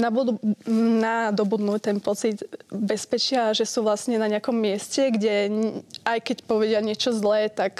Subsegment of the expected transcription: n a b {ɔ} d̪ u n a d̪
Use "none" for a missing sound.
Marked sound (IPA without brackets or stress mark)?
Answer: u